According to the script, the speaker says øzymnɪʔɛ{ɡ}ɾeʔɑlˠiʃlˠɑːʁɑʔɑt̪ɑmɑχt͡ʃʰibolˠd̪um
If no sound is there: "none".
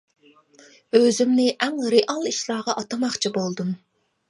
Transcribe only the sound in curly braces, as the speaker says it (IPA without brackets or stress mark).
ŋ